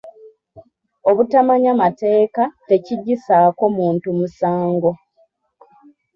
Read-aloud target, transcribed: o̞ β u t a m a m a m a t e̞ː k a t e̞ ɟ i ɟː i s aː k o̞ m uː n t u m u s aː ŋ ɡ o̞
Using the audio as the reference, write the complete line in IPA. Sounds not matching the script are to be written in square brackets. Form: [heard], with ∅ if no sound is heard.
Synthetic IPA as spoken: o̞ β u t a m a [ɲ] a m a t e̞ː k a t e̞ [c] i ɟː i s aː k o̞ m uː n t u m u s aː ŋ ɡ o̞